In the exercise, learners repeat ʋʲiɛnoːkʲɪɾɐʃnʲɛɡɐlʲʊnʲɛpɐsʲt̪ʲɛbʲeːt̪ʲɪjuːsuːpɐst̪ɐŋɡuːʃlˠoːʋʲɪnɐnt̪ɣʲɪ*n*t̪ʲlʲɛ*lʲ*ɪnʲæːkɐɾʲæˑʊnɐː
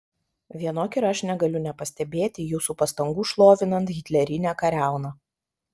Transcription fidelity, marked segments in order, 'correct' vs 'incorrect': incorrect, incorrect

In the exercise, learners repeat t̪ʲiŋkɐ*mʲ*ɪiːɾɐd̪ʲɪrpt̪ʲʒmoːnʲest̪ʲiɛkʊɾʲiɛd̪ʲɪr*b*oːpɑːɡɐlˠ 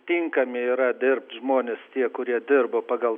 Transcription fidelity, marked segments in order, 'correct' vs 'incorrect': correct, correct

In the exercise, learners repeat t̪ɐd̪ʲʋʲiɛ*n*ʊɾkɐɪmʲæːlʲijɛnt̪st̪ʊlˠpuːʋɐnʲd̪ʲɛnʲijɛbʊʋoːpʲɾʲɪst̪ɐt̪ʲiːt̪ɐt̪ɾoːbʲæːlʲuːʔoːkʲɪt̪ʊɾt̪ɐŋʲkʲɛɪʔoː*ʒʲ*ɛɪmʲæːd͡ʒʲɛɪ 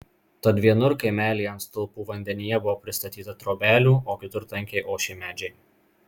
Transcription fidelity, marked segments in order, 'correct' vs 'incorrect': correct, incorrect

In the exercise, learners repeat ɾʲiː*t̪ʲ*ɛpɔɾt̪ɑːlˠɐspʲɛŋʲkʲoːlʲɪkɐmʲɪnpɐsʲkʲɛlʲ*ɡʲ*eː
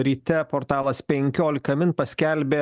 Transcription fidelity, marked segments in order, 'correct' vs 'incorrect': correct, incorrect

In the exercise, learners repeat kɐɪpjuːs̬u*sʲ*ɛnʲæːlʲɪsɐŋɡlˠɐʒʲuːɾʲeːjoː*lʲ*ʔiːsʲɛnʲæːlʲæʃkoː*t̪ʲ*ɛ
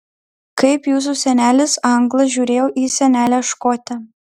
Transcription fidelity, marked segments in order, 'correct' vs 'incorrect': correct, incorrect, correct

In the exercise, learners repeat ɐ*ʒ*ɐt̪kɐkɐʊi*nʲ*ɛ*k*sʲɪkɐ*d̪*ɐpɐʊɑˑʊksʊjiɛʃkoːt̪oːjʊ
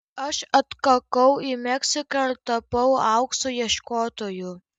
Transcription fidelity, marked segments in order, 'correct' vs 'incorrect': incorrect, incorrect, correct, incorrect

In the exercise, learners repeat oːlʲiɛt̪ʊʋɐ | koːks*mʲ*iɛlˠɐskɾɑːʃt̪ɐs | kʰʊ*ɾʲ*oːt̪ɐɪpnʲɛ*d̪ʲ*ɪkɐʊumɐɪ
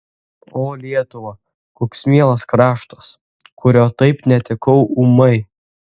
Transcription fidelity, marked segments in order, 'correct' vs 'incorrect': correct, correct, incorrect

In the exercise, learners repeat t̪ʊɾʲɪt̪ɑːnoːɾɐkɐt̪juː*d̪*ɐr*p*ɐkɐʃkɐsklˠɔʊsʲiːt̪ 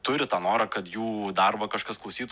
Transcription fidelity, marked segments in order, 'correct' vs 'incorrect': correct, incorrect

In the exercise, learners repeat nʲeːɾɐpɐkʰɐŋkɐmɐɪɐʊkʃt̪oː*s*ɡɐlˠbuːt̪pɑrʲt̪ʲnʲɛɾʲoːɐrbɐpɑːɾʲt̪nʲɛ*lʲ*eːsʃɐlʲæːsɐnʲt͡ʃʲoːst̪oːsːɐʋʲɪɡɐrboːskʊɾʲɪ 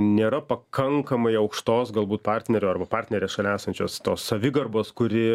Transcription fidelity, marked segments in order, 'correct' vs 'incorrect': correct, incorrect

